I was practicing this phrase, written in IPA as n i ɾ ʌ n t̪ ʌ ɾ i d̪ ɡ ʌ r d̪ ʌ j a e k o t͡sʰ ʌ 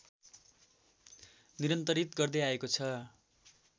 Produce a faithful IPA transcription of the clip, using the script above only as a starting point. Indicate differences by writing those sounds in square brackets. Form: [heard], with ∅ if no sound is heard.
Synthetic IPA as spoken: n i ɾ ʌ n t̪ ʌ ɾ i [t̪] ɡ ʌ r d̪ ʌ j a e k o t͡sʰ ʌ